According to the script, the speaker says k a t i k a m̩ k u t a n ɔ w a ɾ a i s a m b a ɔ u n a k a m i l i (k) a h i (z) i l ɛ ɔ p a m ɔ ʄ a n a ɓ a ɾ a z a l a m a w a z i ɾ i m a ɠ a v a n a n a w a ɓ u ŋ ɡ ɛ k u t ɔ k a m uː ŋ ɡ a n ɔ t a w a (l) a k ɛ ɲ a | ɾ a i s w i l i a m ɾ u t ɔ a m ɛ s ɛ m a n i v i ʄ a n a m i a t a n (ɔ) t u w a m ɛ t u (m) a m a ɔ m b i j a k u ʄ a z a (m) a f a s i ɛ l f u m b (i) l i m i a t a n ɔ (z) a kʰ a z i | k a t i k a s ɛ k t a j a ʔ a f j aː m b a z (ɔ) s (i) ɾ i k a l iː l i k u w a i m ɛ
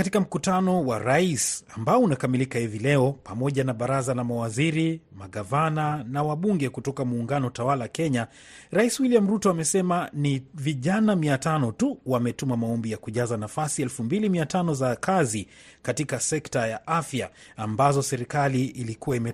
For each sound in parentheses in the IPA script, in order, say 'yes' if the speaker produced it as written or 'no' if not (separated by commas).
yes, no, yes, yes, yes, no, yes, yes, yes, no